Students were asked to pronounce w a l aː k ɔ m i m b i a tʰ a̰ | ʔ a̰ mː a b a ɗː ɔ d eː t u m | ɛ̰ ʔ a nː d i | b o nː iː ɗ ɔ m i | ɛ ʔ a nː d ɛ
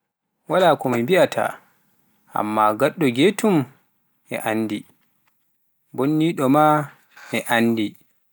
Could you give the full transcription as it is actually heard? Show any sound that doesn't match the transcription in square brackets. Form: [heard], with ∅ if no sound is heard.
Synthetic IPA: w a l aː k ɔ m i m b i a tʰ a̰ | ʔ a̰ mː a [ɡ] a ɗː ɔ [ɡ] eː t u m | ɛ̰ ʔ a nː d i | b o nː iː ɗ ɔ m [a] | ɛ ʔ a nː d [i]

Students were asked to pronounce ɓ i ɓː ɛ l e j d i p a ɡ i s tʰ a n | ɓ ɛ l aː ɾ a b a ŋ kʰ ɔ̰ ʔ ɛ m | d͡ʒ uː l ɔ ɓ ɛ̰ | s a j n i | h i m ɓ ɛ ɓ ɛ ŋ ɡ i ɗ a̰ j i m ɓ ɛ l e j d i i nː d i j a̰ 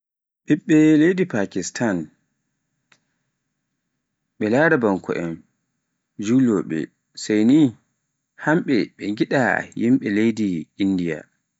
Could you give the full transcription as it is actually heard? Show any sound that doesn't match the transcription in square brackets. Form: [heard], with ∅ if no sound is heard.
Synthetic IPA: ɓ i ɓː ɛ l e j d i p a [k] i s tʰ a n | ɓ ɛ l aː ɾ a b a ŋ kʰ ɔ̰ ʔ ɛ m | d͡ʒ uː l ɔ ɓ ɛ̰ | s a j n i | h [a] m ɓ ɛ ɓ ɛ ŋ ɡ i ɗ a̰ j i m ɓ ɛ l e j d i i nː d i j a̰

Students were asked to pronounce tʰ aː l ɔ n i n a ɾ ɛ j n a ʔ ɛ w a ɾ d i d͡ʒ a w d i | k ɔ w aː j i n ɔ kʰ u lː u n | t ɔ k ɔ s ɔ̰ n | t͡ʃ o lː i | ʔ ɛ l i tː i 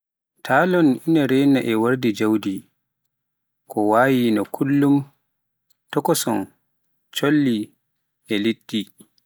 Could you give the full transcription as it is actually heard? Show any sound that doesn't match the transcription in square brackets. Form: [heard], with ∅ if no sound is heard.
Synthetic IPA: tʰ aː l ɔ n i n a ɾ ɛ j n a ʔ ɛ w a ɾ d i d͡ʒ a w d i | k ɔ w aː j i n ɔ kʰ u lː u [m] | t ɔ k ɔ s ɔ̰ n | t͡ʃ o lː i | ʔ ɛ l i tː i

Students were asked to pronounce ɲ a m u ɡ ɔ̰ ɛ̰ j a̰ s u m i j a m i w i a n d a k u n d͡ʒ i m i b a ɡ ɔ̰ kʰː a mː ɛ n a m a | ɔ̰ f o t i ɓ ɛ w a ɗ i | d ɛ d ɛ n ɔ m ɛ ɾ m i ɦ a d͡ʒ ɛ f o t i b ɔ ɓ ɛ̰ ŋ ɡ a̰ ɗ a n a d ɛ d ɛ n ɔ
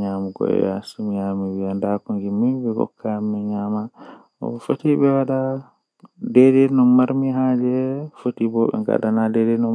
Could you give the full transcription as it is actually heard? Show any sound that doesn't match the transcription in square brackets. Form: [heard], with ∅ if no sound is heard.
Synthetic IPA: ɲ a m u ɡ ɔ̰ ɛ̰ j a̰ s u m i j a m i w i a n d a k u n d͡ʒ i m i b [ɛ] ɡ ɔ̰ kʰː a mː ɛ [ɲ] a m a | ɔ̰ f o t i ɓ ɛ w a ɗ [a] | d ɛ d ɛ n ɔ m [a] ɾ m i ɦ a d͡ʒ ɛ f o t i b ɔ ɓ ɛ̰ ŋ ɡ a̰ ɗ a n a d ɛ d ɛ n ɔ

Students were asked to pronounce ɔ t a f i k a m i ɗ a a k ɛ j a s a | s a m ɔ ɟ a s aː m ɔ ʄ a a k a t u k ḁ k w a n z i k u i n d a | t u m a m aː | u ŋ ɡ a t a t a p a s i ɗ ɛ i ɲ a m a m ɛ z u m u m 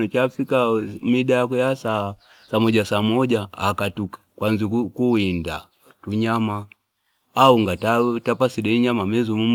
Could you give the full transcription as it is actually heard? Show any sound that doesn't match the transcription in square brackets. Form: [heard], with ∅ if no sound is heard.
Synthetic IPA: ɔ [t͡ʃ] a f i k a m i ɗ a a k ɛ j a s a | s a m ɔ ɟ a s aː m ɔ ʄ a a k a t u k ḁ k w a n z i k u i n d a | t u [ɲ] a m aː | u ŋ ɡ a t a t a p a s i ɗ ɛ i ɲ a m a m ɛ z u m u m

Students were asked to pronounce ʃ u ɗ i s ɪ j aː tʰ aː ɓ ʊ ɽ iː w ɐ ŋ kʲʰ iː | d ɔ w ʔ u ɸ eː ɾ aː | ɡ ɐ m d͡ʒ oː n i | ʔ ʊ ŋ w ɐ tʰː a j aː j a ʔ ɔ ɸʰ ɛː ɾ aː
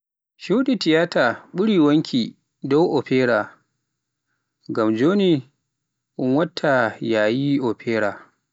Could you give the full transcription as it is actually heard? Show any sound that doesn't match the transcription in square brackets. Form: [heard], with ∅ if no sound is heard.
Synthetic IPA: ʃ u ɗ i [t] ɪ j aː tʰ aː ɓ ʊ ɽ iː w ɐ ŋ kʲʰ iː | d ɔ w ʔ [ɔ] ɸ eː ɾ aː | ɡ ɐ m d͡ʒ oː n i | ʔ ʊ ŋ w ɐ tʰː a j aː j [i] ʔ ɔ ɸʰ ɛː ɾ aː

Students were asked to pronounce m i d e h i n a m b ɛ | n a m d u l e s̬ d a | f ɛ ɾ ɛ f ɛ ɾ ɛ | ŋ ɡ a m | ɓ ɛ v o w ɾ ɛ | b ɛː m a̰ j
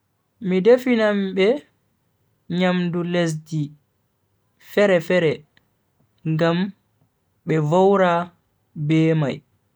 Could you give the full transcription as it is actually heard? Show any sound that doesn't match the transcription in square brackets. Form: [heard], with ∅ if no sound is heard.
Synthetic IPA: m i d e [f] i n a m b ɛ | [ɲ] a m d u l e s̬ d [i] | f ɛ ɾ ɛ f ɛ ɾ ɛ | ŋ ɡ a m | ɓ ɛ v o w ɾ [a] | b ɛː m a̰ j

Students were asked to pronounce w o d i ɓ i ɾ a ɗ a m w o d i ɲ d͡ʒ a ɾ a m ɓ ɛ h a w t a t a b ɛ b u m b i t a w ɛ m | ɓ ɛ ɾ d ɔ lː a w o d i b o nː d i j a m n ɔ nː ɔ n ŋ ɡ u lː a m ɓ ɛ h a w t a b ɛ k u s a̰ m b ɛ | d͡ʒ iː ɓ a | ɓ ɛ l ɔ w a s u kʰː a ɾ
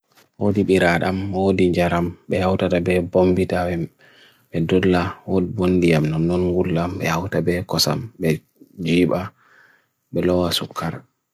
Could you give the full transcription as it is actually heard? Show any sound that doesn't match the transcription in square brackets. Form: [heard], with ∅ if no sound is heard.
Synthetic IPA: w o d i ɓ i ɾ a ɗ a m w o d i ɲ d͡ʒ a ɾ a m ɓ ɛ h a w t a t a b ɛ b [o] m b i t a w ɛ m | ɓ ɛ [∅] d ɔ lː a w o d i b o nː d i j a m n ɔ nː ɔ n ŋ ɡ u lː a m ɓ ɛ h a w t a b ɛ k [ɔ] s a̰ m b ɛ | d͡ʒ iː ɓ a | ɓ ɛ l ɔ w a s u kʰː a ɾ

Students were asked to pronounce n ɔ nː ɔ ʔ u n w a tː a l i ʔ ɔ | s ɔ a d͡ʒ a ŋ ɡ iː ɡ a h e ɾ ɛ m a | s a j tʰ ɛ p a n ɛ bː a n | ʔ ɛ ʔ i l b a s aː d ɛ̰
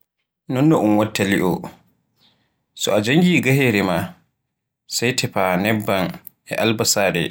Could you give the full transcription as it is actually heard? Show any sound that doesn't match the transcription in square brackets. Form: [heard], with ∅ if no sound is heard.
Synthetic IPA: n ɔ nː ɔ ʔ u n w a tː a l i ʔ ɔ | s ɔ a d͡ʒ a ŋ ɡ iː ɡ a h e ɾ ɛ m a | s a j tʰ ɛ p a n ɛ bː a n | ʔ ɛ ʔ [a] l b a s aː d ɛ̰

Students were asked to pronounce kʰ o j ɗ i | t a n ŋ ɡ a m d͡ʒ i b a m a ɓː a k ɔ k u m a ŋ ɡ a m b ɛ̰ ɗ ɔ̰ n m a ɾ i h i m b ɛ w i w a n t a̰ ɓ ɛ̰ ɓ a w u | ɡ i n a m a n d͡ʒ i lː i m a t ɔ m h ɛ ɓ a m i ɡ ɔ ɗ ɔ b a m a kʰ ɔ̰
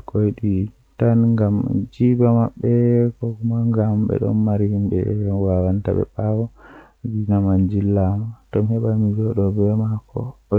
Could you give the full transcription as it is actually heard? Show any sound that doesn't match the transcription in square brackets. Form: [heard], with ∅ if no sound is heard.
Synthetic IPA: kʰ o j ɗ i | t a n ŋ ɡ a m d͡ʒ i b a m a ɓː [ɛ] k ɔ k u m a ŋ ɡ a m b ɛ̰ ɗ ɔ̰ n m a ɾ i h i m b ɛ w [a] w a n t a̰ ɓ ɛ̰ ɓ a w [ɔ] | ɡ i n a m a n d͡ʒ i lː [a] m a t ɔ m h ɛ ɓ a m i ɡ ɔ ɗ ɔ b [ɛ] m a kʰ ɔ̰

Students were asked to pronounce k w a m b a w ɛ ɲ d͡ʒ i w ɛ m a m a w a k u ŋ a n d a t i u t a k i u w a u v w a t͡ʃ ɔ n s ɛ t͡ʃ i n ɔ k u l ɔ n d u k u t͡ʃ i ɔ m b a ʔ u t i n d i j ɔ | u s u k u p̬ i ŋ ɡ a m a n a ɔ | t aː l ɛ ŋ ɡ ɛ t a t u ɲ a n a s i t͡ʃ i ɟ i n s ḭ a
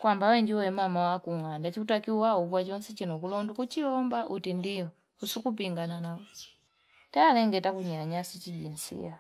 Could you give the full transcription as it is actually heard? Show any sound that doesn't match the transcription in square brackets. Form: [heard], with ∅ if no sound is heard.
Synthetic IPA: k w a m b a w ɛ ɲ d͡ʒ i w ɛ m a m a w a k u ŋ a n d a [t͡ʃ] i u t a k i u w a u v w a t͡ʃ ɔ n s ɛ t͡ʃ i n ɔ k u l ɔ n d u k u t͡ʃ i ɔ m b a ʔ u t i n d i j ɔ | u s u k u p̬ i ŋ ɡ a [n] a n a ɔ | t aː l ɛ ŋ ɡ ɛ t a [k] u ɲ a [ɲ] a s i t͡ʃ i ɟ i n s ḭ a

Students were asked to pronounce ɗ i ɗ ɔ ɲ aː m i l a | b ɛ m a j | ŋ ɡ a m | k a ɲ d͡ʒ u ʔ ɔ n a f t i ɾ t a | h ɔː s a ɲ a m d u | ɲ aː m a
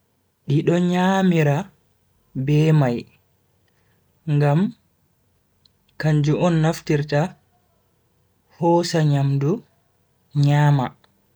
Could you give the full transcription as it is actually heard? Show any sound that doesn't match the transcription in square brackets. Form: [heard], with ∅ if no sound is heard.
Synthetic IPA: ɗ i ɗ ɔ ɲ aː m i [ɾ] a | b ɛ m a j | ŋ ɡ a m | k a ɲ d͡ʒ u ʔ ɔ [nː] a f t i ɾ t a | h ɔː s a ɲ a m d u | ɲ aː m a

